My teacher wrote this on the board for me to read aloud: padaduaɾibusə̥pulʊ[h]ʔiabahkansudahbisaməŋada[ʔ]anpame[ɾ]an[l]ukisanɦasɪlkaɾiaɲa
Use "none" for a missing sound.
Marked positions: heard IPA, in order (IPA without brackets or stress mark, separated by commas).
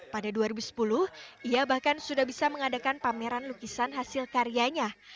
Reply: h, k, ɾ, l